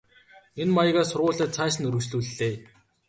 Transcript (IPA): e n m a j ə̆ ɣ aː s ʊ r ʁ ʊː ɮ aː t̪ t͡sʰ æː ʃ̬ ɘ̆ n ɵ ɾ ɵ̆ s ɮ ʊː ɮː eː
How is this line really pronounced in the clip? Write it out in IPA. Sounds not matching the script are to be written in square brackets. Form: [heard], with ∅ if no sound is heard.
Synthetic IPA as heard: e n m a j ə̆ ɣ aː s ʊ r ʁ ʊː ɮ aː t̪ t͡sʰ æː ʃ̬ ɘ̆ n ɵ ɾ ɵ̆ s ɮ [uː] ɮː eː